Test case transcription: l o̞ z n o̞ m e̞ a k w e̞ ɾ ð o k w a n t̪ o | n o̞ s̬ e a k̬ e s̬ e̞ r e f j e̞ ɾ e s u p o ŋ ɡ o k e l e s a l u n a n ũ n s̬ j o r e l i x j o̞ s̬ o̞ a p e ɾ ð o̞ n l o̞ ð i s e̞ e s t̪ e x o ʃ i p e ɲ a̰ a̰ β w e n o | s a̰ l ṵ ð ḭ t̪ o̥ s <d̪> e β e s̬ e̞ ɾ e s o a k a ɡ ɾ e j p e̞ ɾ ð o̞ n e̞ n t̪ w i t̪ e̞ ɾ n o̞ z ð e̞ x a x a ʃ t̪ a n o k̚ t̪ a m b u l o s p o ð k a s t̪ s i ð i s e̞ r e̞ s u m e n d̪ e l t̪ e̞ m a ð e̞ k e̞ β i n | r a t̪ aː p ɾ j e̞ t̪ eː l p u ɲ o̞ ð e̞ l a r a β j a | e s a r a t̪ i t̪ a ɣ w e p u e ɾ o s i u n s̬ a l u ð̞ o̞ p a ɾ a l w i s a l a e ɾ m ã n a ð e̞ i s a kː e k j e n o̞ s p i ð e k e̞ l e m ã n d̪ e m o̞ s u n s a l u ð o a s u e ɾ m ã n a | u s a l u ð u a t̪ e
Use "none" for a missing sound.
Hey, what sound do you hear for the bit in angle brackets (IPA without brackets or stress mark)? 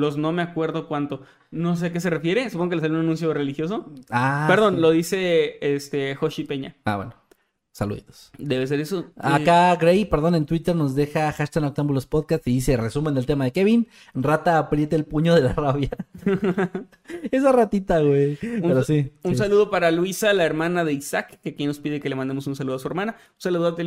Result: d̪